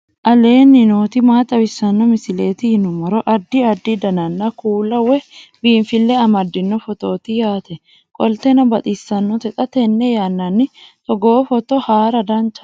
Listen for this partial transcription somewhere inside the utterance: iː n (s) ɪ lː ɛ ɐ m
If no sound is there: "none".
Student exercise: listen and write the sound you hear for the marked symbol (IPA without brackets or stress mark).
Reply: f